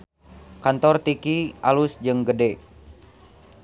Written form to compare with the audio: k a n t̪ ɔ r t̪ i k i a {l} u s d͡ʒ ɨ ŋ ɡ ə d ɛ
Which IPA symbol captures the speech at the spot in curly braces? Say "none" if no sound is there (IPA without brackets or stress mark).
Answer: l